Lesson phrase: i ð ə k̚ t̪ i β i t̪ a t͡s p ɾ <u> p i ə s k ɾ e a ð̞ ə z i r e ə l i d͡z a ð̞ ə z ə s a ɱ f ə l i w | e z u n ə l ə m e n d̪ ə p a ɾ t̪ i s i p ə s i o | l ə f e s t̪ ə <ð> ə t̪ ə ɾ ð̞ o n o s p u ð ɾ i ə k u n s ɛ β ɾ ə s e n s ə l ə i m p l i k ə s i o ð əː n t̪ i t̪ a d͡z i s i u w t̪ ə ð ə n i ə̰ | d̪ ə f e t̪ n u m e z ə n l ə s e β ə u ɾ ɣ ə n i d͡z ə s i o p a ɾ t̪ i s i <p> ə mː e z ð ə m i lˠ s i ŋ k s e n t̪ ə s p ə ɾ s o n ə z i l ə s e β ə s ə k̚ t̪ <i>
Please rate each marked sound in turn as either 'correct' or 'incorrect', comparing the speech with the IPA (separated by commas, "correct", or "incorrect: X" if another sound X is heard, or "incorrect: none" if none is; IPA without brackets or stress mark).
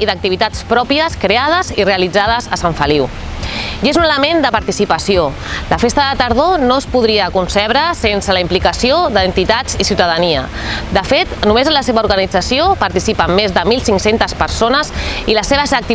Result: incorrect: ɔ, correct, correct, correct